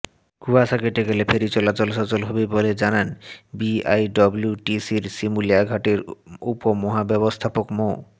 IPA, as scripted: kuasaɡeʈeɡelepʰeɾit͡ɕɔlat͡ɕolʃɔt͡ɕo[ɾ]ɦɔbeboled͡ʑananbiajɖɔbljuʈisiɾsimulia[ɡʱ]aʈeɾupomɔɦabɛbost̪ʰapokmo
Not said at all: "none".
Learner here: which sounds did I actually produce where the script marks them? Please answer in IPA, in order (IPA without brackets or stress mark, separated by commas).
l, ɡʱ